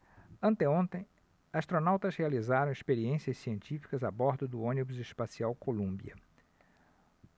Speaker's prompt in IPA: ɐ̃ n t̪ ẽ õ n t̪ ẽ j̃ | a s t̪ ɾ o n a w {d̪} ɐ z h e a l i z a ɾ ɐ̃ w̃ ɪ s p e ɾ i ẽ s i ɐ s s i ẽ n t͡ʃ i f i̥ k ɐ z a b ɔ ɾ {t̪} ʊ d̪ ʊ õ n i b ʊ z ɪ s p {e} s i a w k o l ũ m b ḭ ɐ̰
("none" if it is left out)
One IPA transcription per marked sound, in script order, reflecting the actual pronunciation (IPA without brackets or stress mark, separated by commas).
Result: t̪, d̪, a